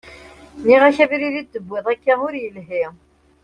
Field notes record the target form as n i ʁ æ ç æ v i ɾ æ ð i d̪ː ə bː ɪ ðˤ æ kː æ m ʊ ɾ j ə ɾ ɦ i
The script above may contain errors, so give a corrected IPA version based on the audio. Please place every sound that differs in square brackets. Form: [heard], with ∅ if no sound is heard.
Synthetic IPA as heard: n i ʁ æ ç æ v i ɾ [i] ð i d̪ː ə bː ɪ ðˤ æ kː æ m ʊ ɾ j ə [l] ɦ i